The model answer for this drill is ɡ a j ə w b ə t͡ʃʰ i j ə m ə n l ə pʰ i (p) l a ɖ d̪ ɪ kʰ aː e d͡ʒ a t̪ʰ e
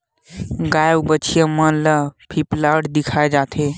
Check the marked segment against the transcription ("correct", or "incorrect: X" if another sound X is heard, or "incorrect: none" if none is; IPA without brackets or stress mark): correct